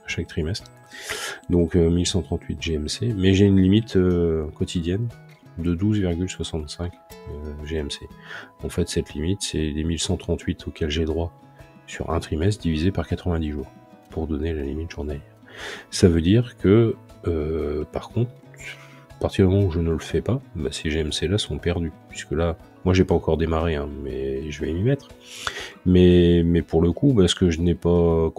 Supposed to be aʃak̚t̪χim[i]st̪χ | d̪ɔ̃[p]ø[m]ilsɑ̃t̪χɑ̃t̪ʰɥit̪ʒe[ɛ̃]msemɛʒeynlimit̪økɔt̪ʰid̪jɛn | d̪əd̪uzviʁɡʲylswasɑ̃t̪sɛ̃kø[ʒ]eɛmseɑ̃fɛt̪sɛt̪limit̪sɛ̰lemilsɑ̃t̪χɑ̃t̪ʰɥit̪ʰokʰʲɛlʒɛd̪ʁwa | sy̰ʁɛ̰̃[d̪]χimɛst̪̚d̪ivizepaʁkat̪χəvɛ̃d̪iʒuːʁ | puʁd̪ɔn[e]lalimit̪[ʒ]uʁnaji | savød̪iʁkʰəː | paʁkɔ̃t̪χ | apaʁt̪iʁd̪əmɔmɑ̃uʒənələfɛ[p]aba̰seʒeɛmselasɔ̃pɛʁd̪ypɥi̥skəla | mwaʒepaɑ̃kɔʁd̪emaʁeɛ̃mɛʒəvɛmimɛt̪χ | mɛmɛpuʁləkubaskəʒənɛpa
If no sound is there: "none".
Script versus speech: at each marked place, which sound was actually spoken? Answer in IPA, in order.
ɛ, k, m, ɛ, ʒ, t̪, e, ʒ, p

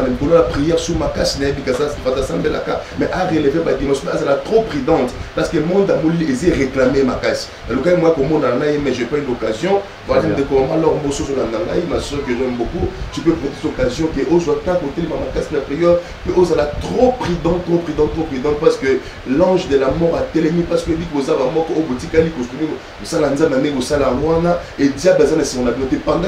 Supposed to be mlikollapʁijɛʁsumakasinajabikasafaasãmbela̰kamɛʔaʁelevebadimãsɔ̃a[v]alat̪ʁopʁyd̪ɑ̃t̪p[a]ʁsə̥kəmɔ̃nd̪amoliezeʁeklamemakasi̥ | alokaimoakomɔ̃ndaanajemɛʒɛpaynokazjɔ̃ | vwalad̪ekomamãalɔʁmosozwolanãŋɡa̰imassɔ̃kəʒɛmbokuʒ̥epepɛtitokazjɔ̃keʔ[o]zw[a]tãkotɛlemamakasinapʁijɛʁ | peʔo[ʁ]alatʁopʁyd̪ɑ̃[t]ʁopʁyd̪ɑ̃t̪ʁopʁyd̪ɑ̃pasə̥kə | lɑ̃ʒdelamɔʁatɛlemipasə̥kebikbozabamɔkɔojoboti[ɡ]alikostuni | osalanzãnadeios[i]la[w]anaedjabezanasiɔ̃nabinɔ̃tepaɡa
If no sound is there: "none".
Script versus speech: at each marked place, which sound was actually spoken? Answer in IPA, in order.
z, a, o, a, z, t, k, a, w

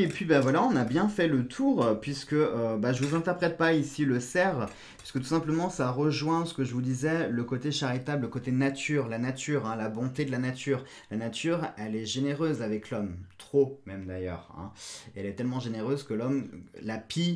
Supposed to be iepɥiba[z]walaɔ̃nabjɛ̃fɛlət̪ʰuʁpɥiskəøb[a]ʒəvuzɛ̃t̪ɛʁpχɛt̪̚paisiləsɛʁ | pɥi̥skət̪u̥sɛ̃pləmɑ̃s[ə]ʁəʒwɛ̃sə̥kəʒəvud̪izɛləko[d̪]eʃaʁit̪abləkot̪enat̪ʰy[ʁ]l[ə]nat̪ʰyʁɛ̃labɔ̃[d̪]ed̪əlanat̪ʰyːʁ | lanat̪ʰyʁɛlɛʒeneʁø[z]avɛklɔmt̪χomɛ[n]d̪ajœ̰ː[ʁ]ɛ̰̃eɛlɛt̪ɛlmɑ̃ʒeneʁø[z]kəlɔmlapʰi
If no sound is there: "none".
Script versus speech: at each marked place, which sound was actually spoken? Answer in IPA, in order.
v, a, a, t̪, ʁ, a, t̪, z, m, ʁ, z

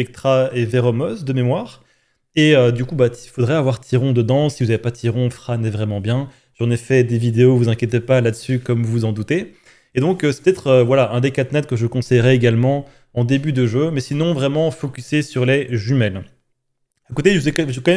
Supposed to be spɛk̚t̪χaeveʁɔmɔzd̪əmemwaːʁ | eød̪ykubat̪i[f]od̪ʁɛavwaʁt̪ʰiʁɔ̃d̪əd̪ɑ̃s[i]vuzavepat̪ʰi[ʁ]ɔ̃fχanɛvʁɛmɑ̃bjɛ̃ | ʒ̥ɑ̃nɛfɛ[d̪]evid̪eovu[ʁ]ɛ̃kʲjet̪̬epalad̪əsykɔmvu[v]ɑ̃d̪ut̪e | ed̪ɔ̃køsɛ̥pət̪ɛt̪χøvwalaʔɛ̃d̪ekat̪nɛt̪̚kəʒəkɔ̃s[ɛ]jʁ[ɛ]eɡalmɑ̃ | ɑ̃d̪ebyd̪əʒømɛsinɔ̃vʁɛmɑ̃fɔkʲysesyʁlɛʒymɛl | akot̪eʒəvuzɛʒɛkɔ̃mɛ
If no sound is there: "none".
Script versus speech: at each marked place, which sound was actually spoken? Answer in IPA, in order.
f, i, ʁ, d̪, z, z, ɛ, ɛ

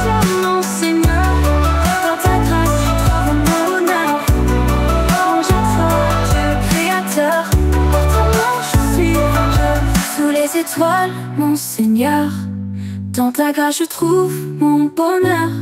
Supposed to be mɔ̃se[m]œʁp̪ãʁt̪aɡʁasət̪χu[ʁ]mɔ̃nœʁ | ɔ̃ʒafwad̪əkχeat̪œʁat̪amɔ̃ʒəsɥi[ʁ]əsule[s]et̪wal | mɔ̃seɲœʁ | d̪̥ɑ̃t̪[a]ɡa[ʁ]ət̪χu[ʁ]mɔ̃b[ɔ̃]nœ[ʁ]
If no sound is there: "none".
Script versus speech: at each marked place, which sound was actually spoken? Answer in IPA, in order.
ɲ, v, ʒ, z, a, ʒ, v, ɔ, ʁ

